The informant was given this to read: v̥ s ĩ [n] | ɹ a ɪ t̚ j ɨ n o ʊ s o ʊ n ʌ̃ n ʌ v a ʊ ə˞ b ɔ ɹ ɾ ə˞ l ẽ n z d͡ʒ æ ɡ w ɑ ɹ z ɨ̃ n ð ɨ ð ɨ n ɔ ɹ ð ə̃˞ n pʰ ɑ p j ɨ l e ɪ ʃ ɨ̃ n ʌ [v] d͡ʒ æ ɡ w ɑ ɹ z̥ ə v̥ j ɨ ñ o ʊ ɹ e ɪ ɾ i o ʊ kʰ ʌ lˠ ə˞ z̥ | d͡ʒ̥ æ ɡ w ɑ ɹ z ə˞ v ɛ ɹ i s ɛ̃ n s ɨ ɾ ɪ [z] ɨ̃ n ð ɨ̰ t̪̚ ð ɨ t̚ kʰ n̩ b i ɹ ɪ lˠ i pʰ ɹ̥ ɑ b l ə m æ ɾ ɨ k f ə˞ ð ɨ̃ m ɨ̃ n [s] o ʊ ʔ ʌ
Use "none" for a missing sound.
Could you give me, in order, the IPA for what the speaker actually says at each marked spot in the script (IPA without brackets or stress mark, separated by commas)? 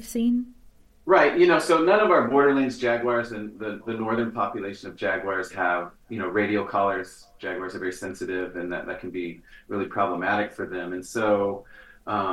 n, v, v, s